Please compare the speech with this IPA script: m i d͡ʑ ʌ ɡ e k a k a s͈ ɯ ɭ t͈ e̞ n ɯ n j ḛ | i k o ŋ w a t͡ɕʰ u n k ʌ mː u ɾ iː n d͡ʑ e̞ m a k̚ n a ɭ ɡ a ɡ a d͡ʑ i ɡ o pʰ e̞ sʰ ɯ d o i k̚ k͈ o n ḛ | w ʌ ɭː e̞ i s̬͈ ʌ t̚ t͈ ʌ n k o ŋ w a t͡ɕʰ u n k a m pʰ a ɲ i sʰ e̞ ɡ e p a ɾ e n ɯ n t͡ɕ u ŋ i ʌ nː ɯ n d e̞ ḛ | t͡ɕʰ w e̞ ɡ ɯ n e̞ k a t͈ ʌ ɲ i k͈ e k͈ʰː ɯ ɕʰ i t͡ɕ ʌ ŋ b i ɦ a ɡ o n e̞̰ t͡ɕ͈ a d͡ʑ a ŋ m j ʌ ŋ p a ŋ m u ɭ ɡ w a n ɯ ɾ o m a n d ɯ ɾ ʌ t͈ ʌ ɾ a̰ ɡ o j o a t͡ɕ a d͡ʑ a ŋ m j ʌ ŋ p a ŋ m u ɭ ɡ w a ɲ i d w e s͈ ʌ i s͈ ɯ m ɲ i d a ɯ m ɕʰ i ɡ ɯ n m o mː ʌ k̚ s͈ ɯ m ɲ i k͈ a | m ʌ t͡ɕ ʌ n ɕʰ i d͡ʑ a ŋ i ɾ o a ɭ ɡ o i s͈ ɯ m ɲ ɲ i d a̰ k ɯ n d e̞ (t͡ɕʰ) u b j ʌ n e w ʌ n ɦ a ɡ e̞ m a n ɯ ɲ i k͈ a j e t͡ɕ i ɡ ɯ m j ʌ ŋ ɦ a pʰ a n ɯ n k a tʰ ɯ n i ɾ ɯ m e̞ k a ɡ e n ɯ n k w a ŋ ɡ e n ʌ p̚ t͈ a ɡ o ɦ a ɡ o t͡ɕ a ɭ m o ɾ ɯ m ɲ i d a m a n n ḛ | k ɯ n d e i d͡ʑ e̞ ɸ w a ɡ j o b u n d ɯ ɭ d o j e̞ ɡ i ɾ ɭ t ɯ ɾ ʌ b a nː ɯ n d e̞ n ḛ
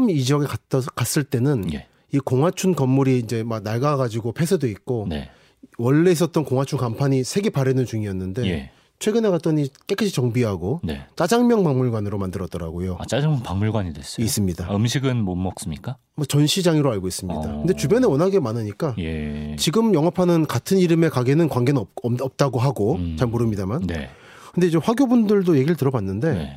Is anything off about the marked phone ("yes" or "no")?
yes